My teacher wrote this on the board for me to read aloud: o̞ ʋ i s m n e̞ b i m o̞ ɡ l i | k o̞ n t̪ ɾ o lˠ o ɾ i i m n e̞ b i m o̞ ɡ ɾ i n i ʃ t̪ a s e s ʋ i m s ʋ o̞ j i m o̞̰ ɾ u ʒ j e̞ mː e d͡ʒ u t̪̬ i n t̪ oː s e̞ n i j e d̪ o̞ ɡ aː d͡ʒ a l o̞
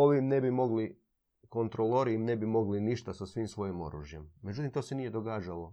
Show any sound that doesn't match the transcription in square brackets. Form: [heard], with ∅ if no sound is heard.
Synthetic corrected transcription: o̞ ʋ i [∅] m n e̞ b i m o̞ ɡ l i | k o̞ n t̪ ɾ o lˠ o ɾ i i m n e̞ b i m o̞ ɡ [l] i n i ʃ t̪ a s [a] s ʋ i m s ʋ o̞ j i m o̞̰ ɾ u ʒ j e̞ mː e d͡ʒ u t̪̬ i [m] t̪ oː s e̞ n i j e d̪ o̞ ɡ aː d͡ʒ a l o̞